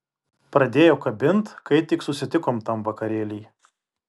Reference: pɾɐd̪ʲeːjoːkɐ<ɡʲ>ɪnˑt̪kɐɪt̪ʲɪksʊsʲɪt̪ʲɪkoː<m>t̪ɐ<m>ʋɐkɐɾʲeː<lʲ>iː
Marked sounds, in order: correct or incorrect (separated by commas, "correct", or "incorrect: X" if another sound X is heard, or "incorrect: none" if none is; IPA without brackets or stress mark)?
incorrect: bʲ, correct, correct, correct